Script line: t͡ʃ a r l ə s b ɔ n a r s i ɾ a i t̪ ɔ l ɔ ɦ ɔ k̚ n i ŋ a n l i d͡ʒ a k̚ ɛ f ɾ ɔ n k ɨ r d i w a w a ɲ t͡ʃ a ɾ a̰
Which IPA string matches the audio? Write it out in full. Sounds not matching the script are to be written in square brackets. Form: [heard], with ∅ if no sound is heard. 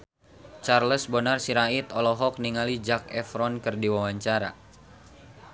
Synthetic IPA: t͡ʃ a r l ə s b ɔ n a r s i ɾ a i t̪ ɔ l ɔ ɦ ɔ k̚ n i ŋ a [∅] l i d͡ʒ a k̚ ɛ f ɾ ɔ n k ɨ r d i w a w a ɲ t͡ʃ a ɾ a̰